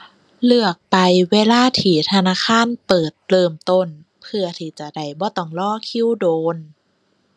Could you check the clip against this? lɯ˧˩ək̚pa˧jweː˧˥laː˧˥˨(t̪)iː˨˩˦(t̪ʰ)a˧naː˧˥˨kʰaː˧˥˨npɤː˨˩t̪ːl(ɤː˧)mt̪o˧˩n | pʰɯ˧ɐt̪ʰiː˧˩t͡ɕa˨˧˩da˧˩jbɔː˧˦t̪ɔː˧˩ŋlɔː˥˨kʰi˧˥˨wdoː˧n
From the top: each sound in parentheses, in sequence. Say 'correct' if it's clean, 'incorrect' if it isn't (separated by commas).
incorrect, correct, correct